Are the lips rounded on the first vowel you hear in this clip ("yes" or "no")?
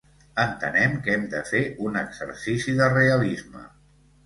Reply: no